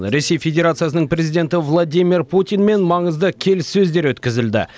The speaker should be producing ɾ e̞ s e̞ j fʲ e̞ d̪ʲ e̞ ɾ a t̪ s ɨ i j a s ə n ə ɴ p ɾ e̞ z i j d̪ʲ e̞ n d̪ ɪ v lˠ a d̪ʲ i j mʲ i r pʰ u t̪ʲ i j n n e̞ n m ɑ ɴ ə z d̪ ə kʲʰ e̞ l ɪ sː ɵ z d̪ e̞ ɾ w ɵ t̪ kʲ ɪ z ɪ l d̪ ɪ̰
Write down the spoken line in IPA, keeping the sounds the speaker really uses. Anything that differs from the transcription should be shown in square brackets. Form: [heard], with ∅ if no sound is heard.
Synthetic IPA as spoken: ɾ e̞ s e̞ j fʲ e̞ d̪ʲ e̞ ɾ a t̪ s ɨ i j a s ə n ə ɴ p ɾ e̞ z i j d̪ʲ e̞ n [t̪] ɪ v lˠ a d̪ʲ i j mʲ i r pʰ u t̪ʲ i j n [m] e̞ n m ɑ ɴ ə z d̪ ə kʲʰ e̞ l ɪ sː ɵ z d̪ e̞ ɾ w ɵ t̪ kʲ ɪ z ɪ l d̪ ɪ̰